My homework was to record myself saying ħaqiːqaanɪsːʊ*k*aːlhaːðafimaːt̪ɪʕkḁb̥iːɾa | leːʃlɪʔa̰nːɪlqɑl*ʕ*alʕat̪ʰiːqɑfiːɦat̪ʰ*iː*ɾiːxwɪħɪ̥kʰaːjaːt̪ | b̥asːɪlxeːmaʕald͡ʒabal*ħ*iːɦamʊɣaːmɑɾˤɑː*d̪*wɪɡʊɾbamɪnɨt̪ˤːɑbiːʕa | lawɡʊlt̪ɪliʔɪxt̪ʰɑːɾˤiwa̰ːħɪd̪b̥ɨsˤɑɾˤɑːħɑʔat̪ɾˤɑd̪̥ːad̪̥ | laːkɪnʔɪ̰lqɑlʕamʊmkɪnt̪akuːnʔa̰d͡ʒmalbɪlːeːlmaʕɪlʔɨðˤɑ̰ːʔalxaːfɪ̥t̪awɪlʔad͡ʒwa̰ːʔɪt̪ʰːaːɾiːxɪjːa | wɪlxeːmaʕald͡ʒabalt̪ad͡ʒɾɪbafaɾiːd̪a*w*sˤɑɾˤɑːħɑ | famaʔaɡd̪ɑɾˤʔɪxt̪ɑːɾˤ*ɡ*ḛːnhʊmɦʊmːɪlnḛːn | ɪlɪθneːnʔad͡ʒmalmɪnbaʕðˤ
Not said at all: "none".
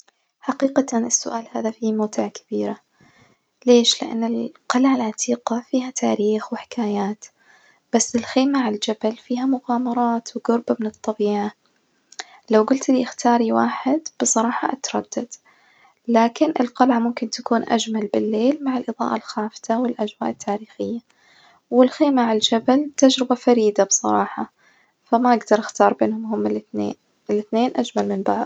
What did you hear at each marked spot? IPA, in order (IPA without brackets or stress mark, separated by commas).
ʔ, ʕ, aː, f, t̪, b, b